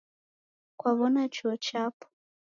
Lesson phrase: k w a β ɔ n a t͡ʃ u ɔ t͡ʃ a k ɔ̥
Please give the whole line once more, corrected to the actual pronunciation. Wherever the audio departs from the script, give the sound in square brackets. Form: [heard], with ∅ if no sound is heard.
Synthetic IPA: k w a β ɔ n a t͡ʃ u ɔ t͡ʃ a [p] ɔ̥